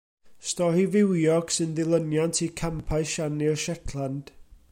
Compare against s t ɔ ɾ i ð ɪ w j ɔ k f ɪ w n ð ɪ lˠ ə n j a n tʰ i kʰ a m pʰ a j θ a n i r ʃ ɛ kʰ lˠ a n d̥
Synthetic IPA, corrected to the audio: s t ɔ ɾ i v ɪ w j ɔ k s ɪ n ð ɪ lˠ ə n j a n tʰ i kʰ a m pʰ a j ʃ a n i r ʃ ɛ kʰ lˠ a n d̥